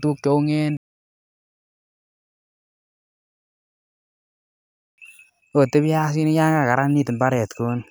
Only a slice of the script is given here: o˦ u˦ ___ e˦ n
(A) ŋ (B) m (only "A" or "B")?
A